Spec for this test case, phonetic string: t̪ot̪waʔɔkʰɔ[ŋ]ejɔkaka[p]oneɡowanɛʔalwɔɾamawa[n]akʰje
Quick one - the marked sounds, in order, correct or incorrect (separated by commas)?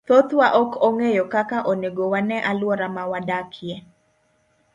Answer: correct, incorrect, incorrect